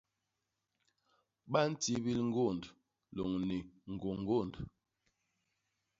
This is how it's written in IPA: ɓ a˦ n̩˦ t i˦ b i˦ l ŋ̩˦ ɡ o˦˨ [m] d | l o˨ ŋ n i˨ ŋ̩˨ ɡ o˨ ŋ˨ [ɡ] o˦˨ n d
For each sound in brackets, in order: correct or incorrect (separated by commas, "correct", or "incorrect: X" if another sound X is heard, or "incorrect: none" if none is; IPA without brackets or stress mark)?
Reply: incorrect: n, correct